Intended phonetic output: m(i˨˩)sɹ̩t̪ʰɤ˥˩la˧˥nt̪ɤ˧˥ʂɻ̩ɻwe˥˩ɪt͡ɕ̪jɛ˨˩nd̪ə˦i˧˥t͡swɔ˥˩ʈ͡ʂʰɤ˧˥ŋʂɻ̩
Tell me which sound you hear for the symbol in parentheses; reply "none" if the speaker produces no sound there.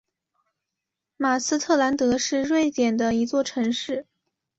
a˨˩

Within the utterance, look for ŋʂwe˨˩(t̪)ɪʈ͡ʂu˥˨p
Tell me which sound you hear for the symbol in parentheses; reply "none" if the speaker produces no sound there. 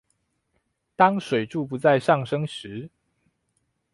none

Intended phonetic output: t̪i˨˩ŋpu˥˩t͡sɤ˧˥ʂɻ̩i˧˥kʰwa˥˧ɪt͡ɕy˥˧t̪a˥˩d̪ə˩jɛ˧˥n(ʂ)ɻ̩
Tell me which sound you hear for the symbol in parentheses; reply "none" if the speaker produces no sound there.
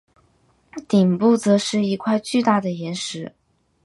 ʂ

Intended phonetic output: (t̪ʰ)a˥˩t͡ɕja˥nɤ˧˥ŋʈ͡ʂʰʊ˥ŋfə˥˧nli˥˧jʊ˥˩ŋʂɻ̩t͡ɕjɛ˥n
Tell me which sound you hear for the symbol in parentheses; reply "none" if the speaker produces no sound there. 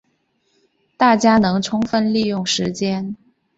t̪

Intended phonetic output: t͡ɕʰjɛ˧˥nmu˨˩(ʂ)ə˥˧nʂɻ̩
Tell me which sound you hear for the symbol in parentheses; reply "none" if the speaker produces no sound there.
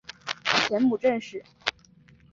ʈ͡ʂ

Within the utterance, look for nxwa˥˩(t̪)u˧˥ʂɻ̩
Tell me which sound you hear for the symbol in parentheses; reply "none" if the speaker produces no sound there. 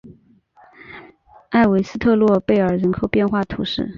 t̪ʰ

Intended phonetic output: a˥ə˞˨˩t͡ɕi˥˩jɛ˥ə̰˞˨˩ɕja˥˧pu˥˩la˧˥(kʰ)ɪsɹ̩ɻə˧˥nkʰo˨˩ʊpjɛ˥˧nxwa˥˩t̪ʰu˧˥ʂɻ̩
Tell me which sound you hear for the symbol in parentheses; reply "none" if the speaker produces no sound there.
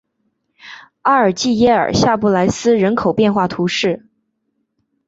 none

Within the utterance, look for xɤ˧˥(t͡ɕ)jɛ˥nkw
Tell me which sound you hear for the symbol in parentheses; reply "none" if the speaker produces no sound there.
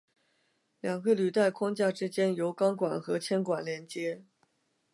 t͡ɕʰ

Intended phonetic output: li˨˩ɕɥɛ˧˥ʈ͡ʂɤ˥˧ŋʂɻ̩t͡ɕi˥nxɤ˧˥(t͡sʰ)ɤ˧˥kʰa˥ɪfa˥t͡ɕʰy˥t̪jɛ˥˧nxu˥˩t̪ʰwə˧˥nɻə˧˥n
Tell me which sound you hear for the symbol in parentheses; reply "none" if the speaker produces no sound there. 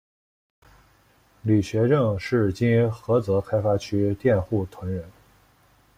t͡s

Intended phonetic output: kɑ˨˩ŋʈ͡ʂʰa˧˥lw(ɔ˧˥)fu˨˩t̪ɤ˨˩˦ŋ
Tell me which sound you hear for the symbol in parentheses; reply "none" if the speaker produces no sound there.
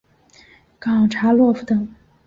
ɔ˥˩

